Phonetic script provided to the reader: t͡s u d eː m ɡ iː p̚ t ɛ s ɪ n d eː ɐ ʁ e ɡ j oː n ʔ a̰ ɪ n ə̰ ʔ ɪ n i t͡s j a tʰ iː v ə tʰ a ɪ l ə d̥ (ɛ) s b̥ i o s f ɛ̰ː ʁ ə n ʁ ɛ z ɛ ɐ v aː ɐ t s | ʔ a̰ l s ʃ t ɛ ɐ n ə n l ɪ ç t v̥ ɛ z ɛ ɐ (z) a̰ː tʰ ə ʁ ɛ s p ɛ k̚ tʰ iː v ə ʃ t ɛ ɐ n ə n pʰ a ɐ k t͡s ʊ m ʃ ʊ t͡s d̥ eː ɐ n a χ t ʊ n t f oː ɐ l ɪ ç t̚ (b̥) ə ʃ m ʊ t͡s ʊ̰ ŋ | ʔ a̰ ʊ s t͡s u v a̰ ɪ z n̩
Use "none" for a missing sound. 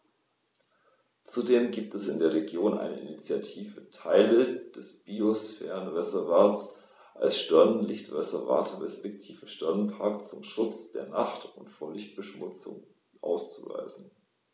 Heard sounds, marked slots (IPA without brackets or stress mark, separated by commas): ɛ, v, b̥